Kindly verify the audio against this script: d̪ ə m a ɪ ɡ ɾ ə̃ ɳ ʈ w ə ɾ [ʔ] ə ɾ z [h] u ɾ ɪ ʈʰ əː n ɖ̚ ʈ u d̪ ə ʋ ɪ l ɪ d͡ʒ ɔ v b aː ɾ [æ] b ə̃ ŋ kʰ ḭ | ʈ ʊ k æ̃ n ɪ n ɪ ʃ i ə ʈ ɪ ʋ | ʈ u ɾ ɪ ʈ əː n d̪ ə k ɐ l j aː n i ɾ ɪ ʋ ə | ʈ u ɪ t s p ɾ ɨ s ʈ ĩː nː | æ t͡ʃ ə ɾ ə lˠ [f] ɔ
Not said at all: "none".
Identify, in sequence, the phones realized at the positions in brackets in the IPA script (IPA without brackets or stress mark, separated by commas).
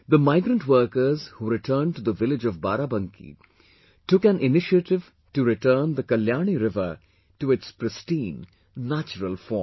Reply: k, h, a, f